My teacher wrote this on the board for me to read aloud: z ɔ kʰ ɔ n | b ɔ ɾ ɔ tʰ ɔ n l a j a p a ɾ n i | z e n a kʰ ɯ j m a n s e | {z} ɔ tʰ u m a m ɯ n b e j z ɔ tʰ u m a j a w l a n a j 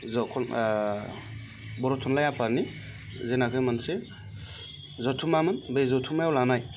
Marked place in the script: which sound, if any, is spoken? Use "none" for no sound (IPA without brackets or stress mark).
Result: z